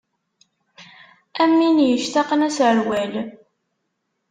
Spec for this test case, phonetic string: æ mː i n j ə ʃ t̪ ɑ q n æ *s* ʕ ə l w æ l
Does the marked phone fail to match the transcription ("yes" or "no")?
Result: no